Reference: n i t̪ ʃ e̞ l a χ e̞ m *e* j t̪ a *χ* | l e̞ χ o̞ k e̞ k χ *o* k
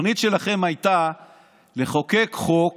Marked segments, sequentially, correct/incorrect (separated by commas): incorrect, incorrect, correct